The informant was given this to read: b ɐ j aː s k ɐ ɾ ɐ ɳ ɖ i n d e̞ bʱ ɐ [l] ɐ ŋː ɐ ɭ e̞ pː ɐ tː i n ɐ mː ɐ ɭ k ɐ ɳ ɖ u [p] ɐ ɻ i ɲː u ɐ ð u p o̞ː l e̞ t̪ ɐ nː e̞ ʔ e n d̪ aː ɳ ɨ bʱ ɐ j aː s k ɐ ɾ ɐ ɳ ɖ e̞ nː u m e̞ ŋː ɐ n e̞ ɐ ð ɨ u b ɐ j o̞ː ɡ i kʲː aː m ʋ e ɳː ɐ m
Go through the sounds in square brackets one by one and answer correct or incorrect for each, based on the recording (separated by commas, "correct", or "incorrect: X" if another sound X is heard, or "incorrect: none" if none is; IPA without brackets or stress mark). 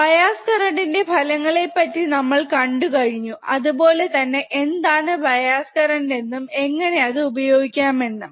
correct, incorrect: k